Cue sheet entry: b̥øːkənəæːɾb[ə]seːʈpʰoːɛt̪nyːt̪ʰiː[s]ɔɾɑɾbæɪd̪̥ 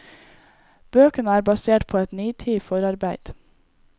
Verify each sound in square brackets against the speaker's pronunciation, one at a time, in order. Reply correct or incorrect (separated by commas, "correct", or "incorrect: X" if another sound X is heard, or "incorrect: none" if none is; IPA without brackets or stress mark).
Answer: incorrect: ɑ, incorrect: f